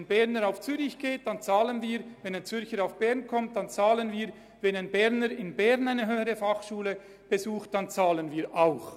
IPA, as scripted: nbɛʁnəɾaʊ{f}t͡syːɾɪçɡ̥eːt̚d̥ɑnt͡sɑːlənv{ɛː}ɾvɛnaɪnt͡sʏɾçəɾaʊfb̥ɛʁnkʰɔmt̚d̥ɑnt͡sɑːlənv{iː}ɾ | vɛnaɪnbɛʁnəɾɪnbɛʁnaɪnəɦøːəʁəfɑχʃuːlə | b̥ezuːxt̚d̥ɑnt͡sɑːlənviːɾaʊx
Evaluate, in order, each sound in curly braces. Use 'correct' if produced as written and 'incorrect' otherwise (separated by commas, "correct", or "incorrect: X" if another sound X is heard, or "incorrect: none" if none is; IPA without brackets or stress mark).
correct, incorrect: iː, correct